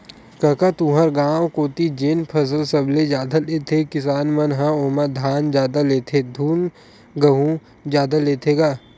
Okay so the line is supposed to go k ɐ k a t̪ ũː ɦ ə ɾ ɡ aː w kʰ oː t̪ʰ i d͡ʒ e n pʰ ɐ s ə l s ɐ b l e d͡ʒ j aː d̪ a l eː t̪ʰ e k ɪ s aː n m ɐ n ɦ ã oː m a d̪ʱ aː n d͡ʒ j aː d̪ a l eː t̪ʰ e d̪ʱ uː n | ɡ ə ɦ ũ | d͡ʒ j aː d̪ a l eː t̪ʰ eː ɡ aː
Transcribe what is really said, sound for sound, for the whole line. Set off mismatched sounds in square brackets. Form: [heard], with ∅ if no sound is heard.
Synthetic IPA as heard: k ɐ k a t̪ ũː ɦ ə ɾ ɡ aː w [k] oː [t̪] i d͡ʒ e n pʰ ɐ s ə l s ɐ b l e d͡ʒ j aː d̪ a l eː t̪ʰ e k ɪ s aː n m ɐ n ɦ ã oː m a d̪ʱ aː n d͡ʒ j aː d̪ a l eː t̪ʰ e d̪ʱ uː n | ɡ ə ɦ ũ | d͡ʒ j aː d̪ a l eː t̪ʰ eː ɡ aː